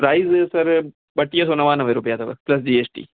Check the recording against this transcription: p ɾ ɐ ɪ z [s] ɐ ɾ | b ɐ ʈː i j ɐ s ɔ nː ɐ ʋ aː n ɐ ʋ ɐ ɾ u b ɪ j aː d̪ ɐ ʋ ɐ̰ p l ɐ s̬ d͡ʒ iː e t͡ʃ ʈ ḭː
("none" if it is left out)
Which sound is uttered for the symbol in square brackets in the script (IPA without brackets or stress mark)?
s